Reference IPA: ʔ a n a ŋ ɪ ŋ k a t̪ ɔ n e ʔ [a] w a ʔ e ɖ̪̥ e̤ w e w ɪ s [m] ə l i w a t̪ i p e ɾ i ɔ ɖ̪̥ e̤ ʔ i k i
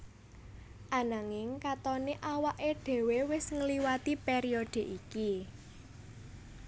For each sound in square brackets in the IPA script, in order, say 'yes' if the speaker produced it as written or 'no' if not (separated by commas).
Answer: yes, no